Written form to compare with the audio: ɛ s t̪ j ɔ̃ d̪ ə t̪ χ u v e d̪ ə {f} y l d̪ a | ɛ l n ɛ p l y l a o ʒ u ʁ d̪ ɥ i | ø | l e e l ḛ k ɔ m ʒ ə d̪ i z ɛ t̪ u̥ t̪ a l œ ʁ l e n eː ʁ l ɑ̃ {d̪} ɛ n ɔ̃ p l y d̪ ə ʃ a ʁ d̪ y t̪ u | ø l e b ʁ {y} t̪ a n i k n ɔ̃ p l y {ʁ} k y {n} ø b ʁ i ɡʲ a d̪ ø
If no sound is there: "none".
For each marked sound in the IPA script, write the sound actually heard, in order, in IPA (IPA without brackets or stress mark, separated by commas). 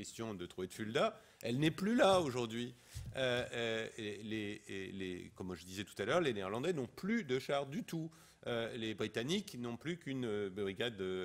f, d̪, i, none, n